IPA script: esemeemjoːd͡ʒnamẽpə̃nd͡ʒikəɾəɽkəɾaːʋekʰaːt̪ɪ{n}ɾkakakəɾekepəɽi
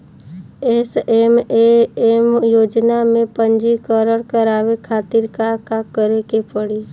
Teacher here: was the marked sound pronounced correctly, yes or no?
no